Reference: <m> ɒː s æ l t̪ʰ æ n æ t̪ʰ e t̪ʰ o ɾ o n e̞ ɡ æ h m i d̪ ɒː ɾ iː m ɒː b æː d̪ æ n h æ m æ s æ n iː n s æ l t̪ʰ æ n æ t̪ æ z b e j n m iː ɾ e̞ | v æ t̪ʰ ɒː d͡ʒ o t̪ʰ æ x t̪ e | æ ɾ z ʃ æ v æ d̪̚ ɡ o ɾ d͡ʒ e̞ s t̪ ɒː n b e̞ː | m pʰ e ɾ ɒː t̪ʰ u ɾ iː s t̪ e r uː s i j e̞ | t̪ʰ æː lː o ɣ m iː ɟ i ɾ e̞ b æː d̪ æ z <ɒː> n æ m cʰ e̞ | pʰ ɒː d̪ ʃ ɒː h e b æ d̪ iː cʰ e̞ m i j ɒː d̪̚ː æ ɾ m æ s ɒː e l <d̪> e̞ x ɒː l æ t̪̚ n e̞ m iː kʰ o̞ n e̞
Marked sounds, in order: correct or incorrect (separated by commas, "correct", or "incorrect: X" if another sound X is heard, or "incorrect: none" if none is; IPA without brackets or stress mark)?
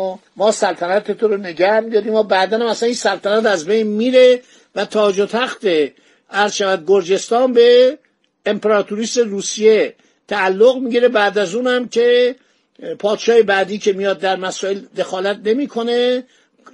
correct, incorrect: uː, correct